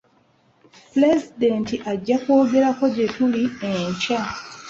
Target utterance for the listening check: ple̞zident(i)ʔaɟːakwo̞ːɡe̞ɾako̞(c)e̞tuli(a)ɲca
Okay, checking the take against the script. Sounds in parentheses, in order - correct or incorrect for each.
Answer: correct, incorrect, incorrect

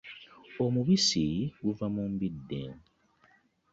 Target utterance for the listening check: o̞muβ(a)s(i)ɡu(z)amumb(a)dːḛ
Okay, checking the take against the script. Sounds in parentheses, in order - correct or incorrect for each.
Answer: incorrect, correct, incorrect, incorrect

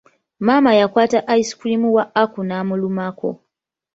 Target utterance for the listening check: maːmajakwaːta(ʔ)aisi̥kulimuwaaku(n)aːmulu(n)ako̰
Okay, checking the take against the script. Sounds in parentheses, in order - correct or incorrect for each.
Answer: correct, correct, incorrect

